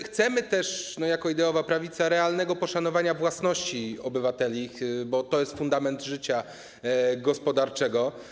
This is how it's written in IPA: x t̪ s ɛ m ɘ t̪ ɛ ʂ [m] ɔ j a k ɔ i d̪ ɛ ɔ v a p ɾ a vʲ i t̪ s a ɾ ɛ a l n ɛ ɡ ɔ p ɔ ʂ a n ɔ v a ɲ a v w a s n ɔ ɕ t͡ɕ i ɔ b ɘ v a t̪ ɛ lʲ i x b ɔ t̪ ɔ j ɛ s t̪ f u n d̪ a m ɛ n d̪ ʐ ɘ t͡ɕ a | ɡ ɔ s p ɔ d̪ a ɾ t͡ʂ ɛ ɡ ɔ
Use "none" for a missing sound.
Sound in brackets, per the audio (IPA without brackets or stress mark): n